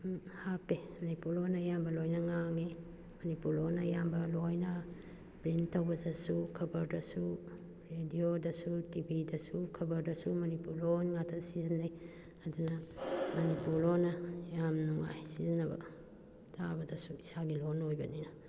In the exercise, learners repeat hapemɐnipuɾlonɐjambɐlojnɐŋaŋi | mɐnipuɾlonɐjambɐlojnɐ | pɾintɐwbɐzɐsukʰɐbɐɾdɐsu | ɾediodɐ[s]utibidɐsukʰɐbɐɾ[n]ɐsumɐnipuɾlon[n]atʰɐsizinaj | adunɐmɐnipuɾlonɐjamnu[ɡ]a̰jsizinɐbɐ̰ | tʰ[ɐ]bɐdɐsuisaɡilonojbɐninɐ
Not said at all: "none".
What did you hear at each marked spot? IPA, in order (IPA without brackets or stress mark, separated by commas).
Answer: s, d, ŋ, ŋ, a